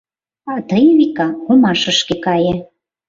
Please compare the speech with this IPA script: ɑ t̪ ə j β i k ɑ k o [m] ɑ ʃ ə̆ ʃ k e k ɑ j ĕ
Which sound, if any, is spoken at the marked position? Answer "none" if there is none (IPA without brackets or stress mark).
m